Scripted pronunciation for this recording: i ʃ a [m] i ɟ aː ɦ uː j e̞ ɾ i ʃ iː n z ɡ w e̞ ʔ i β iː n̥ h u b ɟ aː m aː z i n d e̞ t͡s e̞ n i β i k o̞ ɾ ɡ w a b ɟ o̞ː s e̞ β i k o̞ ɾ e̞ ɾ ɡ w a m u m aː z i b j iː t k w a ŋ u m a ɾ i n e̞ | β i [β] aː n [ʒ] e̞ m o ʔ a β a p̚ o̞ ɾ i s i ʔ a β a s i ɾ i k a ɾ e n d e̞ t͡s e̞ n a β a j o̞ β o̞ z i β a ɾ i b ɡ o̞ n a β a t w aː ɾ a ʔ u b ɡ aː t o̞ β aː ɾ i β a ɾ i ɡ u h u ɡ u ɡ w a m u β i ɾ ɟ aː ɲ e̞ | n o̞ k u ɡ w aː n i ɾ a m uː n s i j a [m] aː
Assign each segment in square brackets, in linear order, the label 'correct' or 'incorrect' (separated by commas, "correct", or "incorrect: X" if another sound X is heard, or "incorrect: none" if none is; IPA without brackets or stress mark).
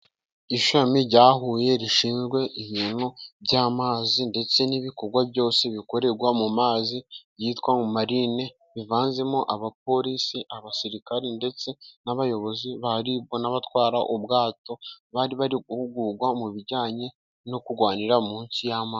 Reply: correct, incorrect: v, incorrect: z, correct